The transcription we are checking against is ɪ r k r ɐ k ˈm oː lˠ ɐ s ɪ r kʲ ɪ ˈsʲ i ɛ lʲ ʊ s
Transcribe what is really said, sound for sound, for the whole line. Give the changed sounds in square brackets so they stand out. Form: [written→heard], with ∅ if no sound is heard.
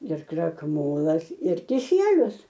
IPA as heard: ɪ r k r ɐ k ˈm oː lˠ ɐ s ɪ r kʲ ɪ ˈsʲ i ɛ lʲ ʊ s